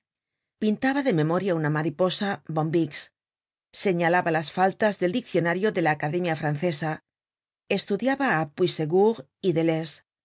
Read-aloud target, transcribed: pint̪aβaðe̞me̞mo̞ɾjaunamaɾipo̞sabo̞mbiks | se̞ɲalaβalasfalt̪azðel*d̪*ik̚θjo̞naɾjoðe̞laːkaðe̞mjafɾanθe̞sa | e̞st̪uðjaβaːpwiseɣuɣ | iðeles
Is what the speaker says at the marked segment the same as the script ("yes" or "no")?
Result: yes